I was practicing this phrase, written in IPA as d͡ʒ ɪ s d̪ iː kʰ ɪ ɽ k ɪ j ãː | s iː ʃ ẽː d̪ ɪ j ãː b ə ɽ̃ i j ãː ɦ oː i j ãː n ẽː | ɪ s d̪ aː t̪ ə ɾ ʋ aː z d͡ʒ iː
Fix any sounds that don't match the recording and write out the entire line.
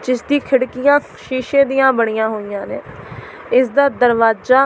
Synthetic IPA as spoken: d͡ʒ ɪ s d̪ iː kʰ ɪ ɽ k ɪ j ãː | ʃ iː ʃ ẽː d̪ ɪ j ãː b ə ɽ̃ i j ãː ɦ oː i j ãː n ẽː | ɪ s d̪ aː d̪ ə ɾ ʋ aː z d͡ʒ aː

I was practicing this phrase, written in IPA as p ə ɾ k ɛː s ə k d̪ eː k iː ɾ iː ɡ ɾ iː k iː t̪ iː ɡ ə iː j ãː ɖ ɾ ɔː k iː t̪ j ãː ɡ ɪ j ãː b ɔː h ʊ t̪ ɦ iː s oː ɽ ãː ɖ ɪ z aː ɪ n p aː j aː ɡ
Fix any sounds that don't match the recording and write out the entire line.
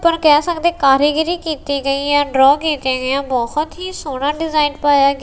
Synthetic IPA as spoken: p ə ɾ k ɛː s ə k d̪ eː k aː ɾ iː ɡ ɾ iː k iː t̪ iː ɡ ə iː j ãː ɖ ɾ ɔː k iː t̪ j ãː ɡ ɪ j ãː b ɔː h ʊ t̪ ɦ iː s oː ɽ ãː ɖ ɪ z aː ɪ n p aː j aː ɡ

